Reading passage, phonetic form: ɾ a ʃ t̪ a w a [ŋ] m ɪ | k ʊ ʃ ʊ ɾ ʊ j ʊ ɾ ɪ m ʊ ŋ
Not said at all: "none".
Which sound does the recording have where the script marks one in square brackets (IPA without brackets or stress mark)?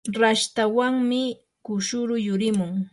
ŋ